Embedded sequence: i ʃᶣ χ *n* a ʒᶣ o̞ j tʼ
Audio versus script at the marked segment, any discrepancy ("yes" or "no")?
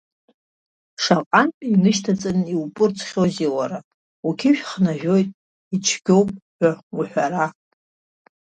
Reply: no